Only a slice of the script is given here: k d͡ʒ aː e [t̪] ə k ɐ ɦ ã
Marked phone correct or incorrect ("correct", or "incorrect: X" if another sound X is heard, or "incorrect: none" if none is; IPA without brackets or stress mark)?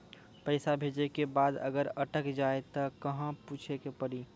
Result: correct